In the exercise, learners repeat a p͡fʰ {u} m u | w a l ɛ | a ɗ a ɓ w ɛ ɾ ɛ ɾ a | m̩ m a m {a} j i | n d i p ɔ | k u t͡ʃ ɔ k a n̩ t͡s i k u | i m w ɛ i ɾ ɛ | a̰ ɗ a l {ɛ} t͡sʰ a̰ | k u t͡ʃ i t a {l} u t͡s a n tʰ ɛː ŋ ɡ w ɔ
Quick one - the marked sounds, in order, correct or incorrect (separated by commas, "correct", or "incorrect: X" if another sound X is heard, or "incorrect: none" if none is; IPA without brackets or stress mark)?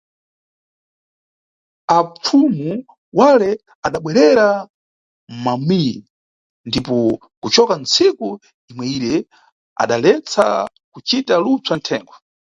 correct, incorrect: i, correct, correct